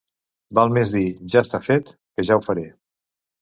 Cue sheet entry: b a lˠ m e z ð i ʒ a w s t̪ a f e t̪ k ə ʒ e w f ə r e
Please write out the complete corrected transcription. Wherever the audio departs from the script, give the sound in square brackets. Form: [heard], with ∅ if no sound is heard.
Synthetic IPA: b a lˠ m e z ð i ʒ a [∅] s t̪ a f e t̪ k ə ʒ [a] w f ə [ɾ] e